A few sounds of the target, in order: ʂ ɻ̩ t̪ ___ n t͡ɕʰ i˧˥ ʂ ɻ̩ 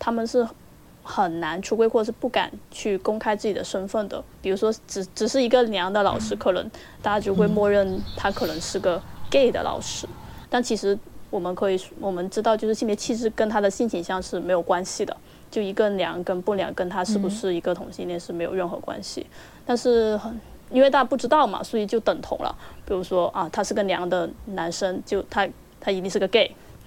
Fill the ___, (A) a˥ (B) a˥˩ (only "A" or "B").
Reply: B